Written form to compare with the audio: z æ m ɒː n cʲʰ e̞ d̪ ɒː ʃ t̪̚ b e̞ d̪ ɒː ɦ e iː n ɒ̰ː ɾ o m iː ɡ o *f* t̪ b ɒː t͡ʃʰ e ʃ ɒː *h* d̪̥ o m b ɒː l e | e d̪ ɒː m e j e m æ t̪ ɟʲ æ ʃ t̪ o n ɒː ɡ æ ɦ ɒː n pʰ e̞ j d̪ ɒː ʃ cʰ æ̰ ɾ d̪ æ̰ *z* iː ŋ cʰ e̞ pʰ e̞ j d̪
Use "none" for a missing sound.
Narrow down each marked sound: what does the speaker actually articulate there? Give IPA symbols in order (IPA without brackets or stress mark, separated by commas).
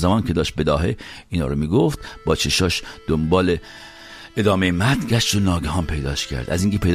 f, ʃ, z